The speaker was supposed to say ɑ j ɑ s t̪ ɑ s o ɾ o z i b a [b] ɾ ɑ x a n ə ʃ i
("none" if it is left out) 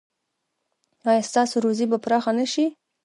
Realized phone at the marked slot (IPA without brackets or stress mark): p